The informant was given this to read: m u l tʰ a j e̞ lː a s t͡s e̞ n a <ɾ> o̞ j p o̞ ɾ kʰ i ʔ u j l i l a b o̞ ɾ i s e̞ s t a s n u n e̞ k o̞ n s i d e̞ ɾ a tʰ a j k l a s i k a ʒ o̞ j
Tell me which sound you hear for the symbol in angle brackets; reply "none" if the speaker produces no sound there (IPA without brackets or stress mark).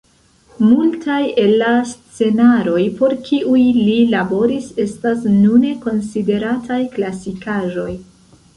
ɾ